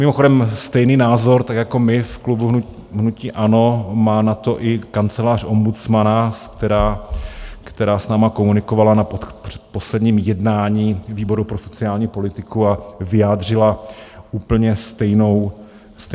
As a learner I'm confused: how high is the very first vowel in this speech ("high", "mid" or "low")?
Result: high